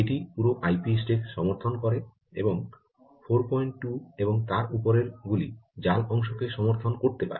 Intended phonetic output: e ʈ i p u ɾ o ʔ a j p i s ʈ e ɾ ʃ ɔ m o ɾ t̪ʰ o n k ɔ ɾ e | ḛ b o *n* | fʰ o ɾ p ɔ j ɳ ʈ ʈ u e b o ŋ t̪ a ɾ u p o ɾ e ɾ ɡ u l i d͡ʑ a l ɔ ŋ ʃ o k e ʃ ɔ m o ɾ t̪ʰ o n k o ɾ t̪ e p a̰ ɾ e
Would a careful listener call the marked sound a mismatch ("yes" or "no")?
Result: yes